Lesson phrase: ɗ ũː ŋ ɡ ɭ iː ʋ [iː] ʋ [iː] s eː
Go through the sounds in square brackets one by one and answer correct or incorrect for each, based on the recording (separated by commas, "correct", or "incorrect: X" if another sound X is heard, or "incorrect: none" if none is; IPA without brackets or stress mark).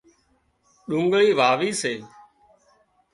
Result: incorrect: aː, correct